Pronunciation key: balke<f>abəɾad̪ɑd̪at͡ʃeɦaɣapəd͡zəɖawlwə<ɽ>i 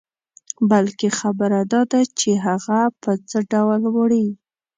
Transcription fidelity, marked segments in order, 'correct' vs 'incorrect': incorrect: x, correct

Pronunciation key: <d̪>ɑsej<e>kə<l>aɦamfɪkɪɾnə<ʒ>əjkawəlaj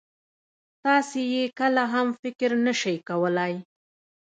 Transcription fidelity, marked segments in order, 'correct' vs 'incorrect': incorrect: t̪, correct, correct, incorrect: ʃ

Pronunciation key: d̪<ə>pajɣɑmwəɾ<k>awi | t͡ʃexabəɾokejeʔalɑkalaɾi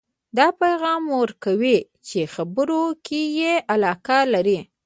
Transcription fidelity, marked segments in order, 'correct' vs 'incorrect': incorrect: ɑ, correct

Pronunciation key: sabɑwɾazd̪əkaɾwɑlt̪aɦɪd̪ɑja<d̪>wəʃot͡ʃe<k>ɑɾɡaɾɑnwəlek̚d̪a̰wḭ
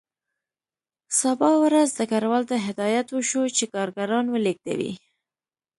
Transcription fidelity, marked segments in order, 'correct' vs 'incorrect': incorrect: t̪, correct

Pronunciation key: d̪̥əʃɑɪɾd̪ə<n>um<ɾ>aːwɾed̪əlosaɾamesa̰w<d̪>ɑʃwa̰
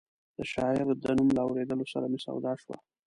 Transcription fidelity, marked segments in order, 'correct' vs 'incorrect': correct, incorrect: l, correct

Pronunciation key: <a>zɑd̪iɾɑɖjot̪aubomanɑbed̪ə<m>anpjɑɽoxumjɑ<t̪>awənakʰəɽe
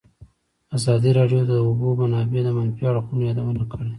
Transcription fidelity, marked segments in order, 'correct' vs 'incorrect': correct, correct, incorrect: d̪

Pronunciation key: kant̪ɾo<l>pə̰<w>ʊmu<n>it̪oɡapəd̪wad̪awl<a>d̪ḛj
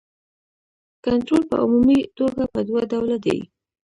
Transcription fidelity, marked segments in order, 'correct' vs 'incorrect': correct, incorrect: none, incorrect: m, correct

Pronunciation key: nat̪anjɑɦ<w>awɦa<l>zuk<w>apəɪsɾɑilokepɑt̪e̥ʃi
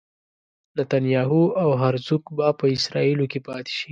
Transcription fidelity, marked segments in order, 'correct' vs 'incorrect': incorrect: u, incorrect: ɾ, incorrect: b

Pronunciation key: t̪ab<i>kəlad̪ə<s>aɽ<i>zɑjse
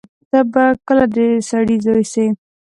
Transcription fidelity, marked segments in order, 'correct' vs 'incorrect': incorrect: a, correct, correct

